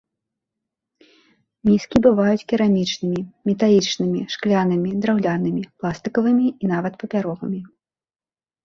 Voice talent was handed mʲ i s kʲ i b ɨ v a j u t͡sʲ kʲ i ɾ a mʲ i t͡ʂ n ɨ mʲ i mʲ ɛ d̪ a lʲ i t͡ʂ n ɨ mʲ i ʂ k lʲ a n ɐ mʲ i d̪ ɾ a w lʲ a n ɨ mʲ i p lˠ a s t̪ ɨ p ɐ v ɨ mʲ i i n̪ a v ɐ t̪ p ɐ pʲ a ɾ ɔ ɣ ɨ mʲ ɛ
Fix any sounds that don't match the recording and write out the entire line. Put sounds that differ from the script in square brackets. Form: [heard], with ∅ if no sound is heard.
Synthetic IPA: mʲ i s kʲ i b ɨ v a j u t͡sʲ kʲ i ɾ a mʲ i t͡ʂ n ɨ mʲ i mʲ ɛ [t̪] a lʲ i t͡ʂ n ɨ mʲ i ʂ k lʲ a n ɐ mʲ i d̪ ɾ a w lʲ a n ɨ mʲ i p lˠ a s t̪ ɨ [k] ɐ v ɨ mʲ i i n̪ a v ɐ t̪ p ɐ pʲ a ɾ ɔ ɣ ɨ mʲ [i]